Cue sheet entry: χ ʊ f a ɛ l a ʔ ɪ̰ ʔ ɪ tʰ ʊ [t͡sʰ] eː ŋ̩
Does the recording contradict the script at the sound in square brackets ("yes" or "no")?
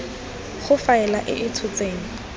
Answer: yes